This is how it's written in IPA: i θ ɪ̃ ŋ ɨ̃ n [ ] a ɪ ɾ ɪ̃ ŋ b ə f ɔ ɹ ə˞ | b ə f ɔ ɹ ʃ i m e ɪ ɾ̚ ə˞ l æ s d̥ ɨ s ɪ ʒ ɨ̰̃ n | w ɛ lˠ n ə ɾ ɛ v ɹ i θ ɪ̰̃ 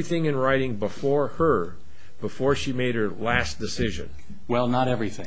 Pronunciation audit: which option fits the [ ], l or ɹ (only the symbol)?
ɹ